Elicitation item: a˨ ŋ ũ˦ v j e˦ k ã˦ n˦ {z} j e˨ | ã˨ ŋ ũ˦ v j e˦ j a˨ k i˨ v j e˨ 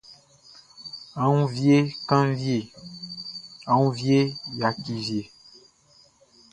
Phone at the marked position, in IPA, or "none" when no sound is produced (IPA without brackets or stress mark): v